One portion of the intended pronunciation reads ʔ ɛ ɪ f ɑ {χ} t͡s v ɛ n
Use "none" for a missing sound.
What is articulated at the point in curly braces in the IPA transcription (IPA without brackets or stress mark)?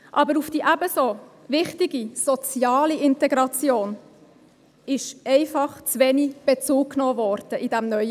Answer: χ